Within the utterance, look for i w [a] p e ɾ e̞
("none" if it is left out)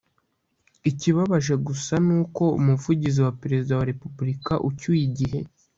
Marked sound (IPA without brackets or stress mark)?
a